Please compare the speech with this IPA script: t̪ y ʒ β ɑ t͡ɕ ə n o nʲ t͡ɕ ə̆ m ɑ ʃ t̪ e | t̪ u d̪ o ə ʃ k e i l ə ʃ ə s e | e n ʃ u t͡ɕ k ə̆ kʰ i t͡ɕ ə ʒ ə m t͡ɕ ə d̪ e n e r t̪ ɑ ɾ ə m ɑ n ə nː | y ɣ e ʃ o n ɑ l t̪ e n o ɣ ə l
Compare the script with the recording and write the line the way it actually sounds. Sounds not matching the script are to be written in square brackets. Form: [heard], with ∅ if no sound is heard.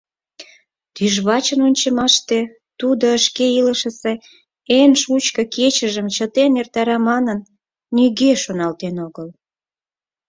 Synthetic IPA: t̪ y ʒ β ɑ t͡ɕ ə n o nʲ t͡ɕ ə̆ m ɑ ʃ t̪ e | t̪ u d̪ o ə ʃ k e i l ə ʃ ə s e | e n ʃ u t͡ɕ k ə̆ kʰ [e] t͡ɕ ə ʒ ə m t͡ɕ ə [t̪] e n e r t̪ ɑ ɾ [ɑ] m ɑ n ə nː | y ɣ e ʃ o n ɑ l t̪ e n o ɣ ə l